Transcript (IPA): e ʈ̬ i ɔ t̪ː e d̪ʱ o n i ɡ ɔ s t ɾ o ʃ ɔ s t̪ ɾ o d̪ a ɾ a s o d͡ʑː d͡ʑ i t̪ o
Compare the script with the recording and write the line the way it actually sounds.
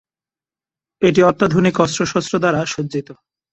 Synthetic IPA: e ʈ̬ i ɔ t̪ː a d̪ʱ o n i k ɔ s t ɾ o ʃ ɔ s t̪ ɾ o d̪ a ɾ a ʃ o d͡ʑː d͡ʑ i t̪ o